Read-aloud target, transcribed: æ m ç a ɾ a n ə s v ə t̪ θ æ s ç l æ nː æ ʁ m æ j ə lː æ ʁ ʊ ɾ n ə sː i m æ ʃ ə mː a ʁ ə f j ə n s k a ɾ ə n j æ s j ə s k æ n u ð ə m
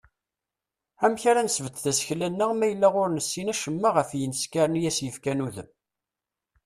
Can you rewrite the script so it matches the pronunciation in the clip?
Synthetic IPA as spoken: æ m ç a ɾ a n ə s v ə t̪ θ æ s ç l æ nː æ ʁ m æ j ə lː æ ʁ ʊ ɾ n ə sː i n æ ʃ ə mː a ʁ ə f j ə n s k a ɾ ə n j æ s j ə f k æ n u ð ə m

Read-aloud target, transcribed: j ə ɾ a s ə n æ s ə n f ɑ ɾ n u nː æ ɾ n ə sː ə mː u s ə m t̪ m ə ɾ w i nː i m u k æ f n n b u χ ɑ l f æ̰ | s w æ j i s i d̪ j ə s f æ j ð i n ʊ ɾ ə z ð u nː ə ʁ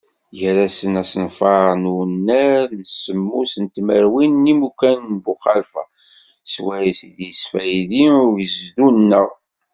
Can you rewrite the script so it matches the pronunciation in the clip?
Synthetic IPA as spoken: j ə ɾ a s ə n æ s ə n f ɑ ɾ n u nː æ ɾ n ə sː ə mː u s ə n t̪ m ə ɾ w i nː i m u k æ n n b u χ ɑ l f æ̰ | s w æ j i s i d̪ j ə s f æ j ð i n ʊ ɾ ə z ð u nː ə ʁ

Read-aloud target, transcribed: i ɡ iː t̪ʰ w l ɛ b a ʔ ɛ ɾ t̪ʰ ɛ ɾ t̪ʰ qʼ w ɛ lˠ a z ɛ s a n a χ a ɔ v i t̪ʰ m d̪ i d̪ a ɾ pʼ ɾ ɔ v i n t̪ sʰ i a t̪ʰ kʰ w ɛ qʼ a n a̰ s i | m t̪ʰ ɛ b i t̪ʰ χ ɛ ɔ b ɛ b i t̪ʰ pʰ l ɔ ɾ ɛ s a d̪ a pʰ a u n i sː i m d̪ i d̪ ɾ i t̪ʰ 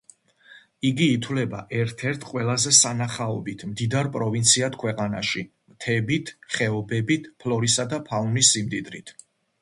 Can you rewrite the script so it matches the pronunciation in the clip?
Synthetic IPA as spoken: i ɡ iː t̪ʰ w l ɛ b a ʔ ɛ ɾ t̪ʰ ɛ ɾ t̪ʰ qʼ w ɛ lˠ a z ɛ s a n a χ a ɔ b i t̪ʰ m d̪ i d̪ a ɾ pʼ ɾ ɔ v i n t̪ sʰ i a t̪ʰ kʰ w ɛ qʼ a n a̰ ʃ i | m t̪ʰ ɛ b i t̪ʰ χ ɛ ɔ b ɛ b i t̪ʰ pʰ l ɔ ɾ i s a d̪ a pʰ a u n i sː i m d̪ i d̪ ɾ i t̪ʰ

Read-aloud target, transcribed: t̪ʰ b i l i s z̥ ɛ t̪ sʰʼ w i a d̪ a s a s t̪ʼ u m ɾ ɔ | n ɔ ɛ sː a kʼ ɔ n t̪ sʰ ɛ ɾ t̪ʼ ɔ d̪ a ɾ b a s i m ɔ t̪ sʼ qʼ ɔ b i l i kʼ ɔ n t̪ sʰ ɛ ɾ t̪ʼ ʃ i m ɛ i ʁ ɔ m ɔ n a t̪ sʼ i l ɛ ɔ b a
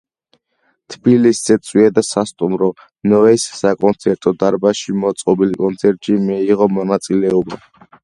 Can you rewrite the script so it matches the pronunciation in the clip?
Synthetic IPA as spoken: t̪ʰ b i l i s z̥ ɛ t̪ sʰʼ w i a d̪ a s a s t̪ʼ u m ɾ ɔ | n ɔ ɛ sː a kʼ ɔ n t̪ sʰ ɛ ɾ t̪ʼ ɔ d̪ a ɾ b a ʃ i m ɔ t̪ sʼ qʼ ɔ b i l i kʼ ɔ n t̪ sʰ ɛ ɾ t̪ʼ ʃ i m ɛ i ʁ ɔ m ɔ n a t̪ sʼ i l ɛ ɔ b a

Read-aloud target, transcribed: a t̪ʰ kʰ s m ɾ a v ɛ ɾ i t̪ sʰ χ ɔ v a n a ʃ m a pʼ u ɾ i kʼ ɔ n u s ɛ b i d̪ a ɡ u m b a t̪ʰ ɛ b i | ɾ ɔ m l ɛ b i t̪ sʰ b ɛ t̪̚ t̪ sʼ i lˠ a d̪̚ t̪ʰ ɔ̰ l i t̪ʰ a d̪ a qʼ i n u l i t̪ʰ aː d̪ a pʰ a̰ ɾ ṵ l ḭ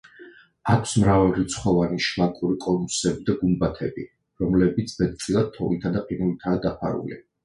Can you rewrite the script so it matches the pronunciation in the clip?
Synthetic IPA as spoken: a kʰ s m ɾ a v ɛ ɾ i t̪ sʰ χ ɔ v a n i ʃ m a kʼ u ɾ i kʼ ɔ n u s ɛ b i d̪ a ɡ u m b a t̪ʰ ɛ b i | ɾ ɔ m l ɛ b i t̪ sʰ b ɛ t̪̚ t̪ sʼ i lˠ a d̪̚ t̪ʰ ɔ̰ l i t̪ʰ a d̪ a qʼ i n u l i t̪ʰ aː d̪ a pʰ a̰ ɾ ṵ l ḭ

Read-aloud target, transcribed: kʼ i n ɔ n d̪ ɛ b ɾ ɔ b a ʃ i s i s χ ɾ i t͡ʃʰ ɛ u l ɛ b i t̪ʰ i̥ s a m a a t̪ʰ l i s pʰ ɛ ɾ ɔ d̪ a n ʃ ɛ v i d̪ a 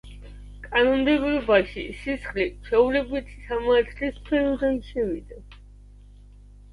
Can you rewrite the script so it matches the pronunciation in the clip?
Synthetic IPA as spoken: kʼ a n ɔ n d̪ ɛ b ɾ ɔ b a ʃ i s i s χ l i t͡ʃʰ ɛ u l ɛ b i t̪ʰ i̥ s a m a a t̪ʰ l i s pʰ ɛ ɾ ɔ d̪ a n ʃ ɛ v i d̪ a

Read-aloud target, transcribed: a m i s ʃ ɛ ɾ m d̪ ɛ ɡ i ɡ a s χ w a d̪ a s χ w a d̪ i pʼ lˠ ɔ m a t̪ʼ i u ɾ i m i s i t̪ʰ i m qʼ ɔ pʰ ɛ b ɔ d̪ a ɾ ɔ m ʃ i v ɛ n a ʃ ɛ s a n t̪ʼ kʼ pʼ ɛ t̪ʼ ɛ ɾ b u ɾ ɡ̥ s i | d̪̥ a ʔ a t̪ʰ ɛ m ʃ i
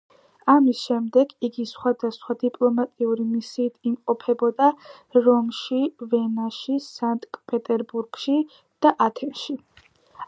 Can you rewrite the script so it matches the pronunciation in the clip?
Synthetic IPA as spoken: a m i s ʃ ɛ m d̪ ɛ ɡ i ɡ i s χ w a d̪ a s χ w a d̪ i pʼ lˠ ɔ m a t̪ʼ i u ɾ i m i s iː t̪ʰ i m qʼ ɔ pʰ ɛ b ɔ d̪ a ɾ ɔ m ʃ i v ɛ n a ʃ i s a n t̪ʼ kʼ pʼ ɛ t̪ʼ ɛ ɾ b u ɾ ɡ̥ ʃ i | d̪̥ a ʔ a t̪ʰ ɛ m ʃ i

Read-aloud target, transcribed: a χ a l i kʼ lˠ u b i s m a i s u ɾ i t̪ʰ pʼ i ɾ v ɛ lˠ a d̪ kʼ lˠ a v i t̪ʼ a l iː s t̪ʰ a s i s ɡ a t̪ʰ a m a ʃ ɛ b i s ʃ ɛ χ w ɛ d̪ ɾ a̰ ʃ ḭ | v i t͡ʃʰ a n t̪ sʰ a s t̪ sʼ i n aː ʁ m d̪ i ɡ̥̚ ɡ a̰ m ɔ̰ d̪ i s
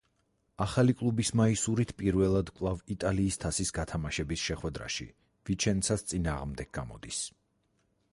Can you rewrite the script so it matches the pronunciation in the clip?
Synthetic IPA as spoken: a χ a l i kʼ lˠ u b i s m a i s u ɾ i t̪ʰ pʼ i ɾ v ɛ lˠ a d̪ kʼ lˠ a v i t̪ʼ a l iː s t̪ʰ a s i s ɡ a t̪ʰ a m a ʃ ɛ b i s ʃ ɛ χ w ɛ d̪ ɾ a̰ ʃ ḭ | v i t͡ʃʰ ɛ n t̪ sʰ a s t̪ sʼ i n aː ʁ m d̪ ɛ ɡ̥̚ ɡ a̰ m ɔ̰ d̪ i s

